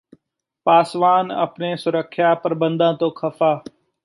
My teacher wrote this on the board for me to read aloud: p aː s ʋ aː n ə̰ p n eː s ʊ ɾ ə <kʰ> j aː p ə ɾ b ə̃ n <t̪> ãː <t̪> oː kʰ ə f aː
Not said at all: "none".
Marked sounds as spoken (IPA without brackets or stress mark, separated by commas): kʰ, d̪, t̪